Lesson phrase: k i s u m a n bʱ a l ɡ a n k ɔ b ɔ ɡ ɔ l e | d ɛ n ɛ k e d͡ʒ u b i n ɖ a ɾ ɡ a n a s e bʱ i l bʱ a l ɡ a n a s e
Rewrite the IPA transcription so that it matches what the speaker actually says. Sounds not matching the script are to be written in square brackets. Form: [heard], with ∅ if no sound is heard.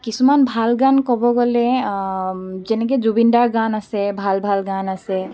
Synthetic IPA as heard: k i s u m a n bʱ a l ɡ a n k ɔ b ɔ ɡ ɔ l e | [d͡ʒ] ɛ n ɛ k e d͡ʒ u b i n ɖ a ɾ ɡ a n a s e bʱ [a] l bʱ a l ɡ a n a s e